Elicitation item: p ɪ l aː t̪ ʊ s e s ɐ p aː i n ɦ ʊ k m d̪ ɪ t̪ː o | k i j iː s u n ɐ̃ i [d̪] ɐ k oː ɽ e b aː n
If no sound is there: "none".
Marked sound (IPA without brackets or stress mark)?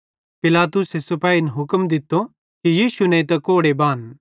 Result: t̪